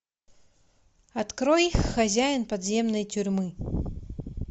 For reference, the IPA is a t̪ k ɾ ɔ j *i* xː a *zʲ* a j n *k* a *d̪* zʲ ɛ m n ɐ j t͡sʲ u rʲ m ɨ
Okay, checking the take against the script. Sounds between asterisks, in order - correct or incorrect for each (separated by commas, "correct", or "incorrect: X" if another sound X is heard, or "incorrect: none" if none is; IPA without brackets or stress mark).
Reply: correct, correct, incorrect: p, correct